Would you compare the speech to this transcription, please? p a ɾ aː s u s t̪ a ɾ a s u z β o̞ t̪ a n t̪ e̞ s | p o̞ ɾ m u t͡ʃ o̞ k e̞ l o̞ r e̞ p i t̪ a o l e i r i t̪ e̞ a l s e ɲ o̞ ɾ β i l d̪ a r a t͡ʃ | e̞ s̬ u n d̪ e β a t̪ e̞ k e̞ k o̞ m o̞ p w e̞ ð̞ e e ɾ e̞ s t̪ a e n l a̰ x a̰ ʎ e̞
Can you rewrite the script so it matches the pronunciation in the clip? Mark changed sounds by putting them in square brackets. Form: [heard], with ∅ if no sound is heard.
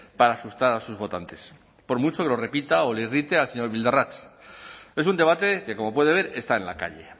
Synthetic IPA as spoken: p a ɾ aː s u s t̪ a ɾ a s u z β o̞ t̪ a n t̪ e̞ s | p o̞ ɾ m u t͡ʃ o̞ k e̞ l o̞ r e̞ p i t̪ a o l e i r i t̪ e̞ a l s e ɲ o̞ ɾ β i l d̪ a r a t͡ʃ | e̞ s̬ u n d̪ e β a t̪ e̞ k e̞ k o̞ m o̞ p w e̞ ð̞ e e ɾ e̞ s t̪ a e n l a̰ [k] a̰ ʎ e̞